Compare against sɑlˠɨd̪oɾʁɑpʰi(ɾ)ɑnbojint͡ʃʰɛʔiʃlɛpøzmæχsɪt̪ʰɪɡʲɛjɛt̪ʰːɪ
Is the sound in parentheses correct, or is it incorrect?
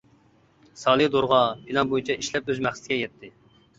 incorrect